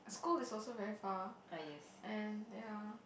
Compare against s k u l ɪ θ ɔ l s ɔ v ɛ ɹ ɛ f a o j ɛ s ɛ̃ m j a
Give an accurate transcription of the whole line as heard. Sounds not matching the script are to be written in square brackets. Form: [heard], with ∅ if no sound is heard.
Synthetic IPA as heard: s k u l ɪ [s] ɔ l s [o] v ɛ ɹ [i] f a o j ɛ s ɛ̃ [n] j a